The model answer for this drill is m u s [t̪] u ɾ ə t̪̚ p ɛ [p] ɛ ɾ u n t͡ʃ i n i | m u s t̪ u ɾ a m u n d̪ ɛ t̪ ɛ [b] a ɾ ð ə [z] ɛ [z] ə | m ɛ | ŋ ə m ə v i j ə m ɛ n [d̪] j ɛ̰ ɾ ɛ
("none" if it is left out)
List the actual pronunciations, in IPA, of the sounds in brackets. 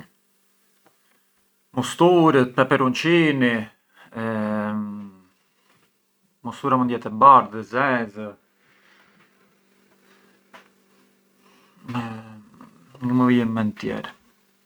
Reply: t̪, p, b, z, z, t̪

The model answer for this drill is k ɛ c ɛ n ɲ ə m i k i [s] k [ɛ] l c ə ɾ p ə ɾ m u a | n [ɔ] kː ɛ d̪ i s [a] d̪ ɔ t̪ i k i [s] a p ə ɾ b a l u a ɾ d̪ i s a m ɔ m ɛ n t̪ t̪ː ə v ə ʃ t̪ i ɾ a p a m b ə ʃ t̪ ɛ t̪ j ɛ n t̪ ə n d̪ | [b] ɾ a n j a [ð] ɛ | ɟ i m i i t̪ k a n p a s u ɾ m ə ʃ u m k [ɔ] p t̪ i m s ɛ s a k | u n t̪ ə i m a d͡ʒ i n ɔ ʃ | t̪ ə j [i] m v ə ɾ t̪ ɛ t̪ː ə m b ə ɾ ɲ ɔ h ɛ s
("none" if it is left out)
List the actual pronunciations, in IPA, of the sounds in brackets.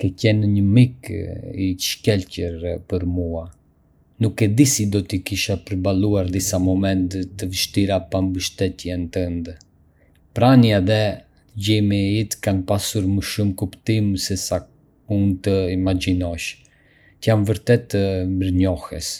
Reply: ʃ, ɛ, u, i, ʃ, p, ð, u, a

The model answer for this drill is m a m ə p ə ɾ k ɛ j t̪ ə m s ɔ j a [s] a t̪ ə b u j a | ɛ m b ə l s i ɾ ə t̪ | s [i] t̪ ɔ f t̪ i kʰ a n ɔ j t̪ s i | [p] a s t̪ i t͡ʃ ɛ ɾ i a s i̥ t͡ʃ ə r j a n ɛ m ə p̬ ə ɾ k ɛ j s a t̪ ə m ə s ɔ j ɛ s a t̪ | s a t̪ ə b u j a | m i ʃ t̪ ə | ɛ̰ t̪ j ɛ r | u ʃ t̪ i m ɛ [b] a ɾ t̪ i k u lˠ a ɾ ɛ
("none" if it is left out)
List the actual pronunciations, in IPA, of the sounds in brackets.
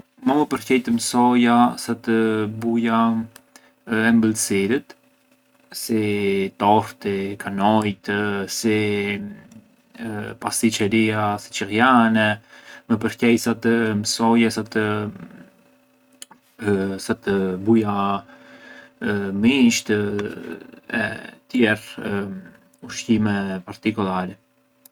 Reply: s, i, p, p

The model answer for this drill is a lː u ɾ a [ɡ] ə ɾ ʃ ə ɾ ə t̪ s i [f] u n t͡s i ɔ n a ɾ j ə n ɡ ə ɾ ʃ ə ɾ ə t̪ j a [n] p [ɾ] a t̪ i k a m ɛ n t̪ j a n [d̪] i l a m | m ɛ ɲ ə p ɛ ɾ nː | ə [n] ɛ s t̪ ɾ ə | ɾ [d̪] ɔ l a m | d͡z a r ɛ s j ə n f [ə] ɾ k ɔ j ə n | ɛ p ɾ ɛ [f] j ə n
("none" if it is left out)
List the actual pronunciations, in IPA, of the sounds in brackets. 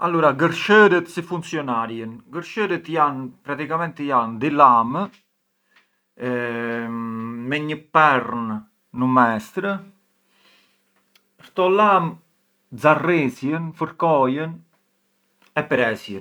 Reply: ɡ, f, n, ɾ, d̪, m, t̪, ə, s

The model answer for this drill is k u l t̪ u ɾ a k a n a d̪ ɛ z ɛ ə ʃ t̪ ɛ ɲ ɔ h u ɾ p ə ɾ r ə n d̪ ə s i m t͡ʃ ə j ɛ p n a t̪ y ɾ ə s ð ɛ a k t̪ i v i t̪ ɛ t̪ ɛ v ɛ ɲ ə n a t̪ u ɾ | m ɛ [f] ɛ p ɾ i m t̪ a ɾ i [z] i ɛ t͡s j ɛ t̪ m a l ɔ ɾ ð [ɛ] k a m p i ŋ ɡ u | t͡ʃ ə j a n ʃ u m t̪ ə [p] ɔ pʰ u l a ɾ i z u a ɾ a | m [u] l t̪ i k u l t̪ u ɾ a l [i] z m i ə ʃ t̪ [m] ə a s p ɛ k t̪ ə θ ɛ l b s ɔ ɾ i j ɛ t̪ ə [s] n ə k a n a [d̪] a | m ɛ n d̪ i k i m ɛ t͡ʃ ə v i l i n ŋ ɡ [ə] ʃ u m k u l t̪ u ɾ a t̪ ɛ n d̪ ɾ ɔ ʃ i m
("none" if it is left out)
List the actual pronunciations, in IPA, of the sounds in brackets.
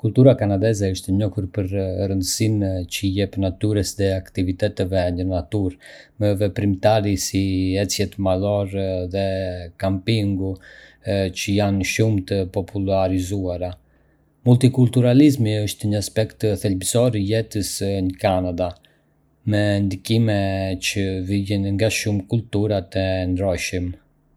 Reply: v, s, ɛ, p, u, i, ɲ, s, d̪, a

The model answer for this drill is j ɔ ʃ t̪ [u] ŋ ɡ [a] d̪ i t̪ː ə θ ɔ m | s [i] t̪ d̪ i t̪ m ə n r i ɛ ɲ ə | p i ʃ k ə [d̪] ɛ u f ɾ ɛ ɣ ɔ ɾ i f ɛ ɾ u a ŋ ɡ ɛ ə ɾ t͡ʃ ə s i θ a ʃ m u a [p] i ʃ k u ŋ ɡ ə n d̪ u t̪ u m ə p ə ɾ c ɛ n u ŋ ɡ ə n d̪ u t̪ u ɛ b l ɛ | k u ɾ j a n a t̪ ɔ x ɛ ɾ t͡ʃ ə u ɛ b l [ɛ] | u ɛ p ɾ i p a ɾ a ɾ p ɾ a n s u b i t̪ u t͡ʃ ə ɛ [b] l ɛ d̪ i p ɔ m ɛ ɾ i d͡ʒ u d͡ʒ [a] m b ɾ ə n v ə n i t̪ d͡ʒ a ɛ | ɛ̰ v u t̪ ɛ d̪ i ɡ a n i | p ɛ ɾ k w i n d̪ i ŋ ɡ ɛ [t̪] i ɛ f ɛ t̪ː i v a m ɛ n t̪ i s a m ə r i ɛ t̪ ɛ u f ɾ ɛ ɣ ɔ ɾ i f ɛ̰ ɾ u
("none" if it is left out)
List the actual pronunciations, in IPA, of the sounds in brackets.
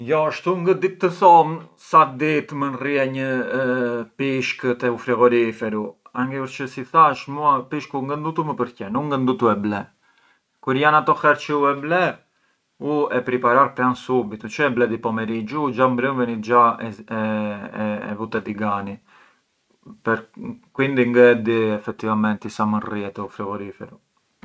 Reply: u, ə, a, t̪, p, ɛ, b, a, d̪

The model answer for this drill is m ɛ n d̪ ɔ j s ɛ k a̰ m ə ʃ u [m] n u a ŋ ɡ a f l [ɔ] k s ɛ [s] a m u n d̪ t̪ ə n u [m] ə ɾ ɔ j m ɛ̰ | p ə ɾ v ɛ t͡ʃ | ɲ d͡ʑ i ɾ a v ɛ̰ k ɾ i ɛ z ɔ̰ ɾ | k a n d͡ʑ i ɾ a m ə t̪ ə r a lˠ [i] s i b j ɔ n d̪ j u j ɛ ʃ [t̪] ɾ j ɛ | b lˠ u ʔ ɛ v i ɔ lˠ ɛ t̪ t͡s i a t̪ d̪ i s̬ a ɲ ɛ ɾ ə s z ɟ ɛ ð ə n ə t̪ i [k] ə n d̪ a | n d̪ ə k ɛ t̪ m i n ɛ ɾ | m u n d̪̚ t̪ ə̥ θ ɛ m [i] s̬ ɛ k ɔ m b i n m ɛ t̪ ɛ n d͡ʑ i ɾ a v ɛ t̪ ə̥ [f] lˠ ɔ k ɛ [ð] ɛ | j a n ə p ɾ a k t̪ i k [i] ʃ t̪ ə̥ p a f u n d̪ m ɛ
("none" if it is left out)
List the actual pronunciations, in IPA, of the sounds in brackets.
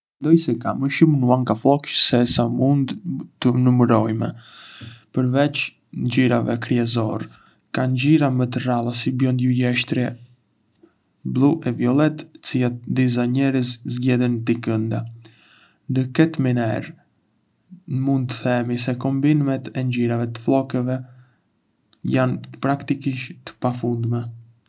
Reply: m, ɔ, s, m, a, t̪, k, i, f, v, i

